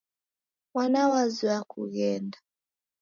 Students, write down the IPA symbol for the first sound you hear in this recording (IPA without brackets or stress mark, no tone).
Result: w